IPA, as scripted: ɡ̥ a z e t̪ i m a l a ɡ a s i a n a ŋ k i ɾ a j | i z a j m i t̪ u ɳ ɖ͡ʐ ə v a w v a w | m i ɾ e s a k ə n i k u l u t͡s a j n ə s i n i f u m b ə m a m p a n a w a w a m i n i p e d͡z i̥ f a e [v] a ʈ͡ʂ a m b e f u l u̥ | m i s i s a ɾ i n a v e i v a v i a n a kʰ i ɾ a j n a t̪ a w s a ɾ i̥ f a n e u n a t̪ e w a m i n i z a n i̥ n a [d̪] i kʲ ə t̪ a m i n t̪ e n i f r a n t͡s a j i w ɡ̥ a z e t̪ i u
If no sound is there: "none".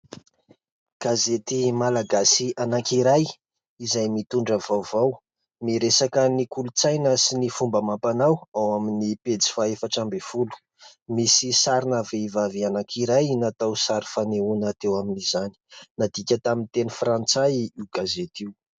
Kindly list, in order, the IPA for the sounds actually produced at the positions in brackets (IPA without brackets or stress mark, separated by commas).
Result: f, d̪